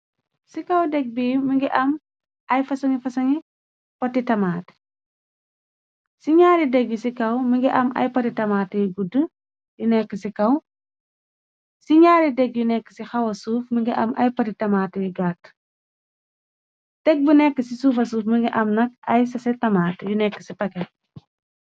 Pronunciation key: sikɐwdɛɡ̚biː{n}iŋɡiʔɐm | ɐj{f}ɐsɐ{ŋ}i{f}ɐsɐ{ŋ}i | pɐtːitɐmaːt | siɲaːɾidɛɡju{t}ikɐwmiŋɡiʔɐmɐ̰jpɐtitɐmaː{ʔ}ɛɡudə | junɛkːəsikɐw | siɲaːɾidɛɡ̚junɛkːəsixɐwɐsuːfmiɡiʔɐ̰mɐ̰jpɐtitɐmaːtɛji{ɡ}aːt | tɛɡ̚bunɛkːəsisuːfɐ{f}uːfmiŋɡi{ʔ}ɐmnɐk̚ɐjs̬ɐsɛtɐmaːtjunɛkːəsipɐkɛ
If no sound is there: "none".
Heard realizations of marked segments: m, f, ŋ, f, ŋ, s, t, ɡ, s, ʔ

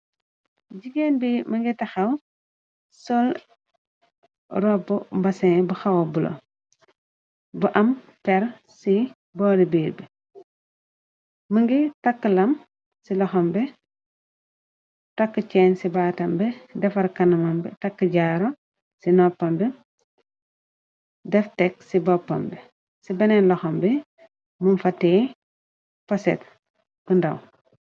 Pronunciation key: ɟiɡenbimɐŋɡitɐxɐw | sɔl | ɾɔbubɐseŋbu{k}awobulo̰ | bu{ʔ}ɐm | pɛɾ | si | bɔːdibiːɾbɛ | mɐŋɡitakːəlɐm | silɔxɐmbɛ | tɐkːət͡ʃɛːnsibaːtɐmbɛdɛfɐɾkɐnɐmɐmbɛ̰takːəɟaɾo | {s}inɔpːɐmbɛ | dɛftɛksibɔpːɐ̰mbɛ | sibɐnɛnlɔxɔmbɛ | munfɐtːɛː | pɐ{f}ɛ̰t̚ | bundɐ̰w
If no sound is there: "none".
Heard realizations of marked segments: x, ʔ, s, s

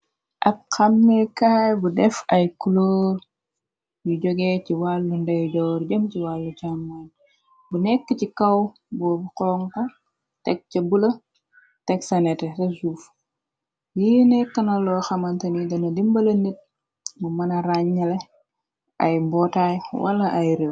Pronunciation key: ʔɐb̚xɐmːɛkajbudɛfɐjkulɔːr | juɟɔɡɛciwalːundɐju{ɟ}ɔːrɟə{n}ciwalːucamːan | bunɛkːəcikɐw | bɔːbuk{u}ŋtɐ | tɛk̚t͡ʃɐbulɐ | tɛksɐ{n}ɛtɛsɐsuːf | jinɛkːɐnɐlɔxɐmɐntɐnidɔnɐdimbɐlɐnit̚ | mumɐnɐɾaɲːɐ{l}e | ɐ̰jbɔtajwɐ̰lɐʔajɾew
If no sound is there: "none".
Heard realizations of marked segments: ɟ, m, ɔ, n, l

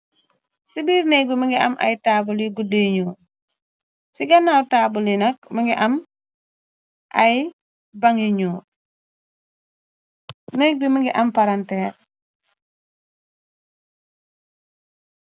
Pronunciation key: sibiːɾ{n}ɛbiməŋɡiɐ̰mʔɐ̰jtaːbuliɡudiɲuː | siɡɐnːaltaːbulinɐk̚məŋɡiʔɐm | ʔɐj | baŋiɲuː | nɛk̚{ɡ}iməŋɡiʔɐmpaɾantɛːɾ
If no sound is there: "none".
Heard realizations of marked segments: n, b

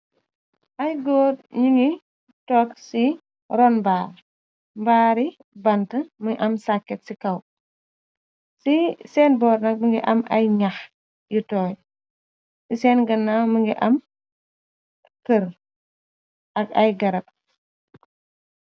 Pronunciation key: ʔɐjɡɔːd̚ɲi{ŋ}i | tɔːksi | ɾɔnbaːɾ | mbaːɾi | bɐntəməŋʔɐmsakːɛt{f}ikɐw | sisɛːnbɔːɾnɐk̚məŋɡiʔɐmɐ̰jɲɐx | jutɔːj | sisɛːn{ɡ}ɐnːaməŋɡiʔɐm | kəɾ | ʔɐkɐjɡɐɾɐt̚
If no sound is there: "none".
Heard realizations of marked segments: ŋ, s, ɡ

